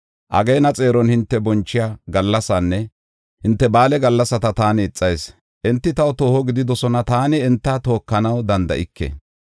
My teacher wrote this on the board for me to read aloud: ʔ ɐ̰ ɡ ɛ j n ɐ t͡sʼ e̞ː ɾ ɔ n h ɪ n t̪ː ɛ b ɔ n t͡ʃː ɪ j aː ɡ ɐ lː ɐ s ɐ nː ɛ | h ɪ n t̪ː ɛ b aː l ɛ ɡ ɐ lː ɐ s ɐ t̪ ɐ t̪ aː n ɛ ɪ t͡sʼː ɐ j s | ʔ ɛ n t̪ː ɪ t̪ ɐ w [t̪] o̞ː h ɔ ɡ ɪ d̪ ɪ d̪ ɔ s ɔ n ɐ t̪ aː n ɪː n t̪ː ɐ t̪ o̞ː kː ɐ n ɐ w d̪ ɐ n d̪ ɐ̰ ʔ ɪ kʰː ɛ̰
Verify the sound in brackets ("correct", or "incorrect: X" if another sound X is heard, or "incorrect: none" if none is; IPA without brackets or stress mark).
correct